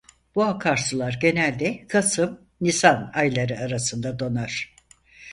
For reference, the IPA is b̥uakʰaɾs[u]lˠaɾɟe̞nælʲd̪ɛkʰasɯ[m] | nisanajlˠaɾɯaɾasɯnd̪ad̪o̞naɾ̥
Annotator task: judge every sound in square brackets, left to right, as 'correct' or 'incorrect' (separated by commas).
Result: incorrect, correct